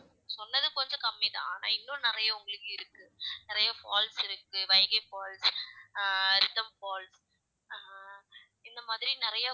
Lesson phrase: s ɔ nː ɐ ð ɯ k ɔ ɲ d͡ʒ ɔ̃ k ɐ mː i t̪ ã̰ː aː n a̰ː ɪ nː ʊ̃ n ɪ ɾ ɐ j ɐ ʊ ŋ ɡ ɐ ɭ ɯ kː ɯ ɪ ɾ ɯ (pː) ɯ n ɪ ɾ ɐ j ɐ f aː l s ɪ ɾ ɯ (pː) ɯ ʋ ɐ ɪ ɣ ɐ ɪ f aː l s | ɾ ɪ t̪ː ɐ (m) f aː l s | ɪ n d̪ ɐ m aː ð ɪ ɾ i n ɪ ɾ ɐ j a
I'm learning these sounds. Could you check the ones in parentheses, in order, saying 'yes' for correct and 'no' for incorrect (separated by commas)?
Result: no, no, yes